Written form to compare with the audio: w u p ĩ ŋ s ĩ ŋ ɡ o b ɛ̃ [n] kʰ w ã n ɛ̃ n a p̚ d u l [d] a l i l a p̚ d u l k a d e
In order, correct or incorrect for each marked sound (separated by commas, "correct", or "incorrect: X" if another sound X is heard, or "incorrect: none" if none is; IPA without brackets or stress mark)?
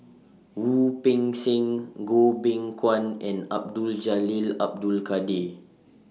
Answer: incorrect: ŋ, incorrect: d͡ʒ